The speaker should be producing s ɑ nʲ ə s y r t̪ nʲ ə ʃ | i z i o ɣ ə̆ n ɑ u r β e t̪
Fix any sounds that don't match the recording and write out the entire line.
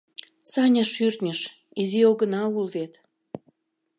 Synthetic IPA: s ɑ nʲ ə ʃ y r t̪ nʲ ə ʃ | i z i o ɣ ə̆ n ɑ u l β e t̪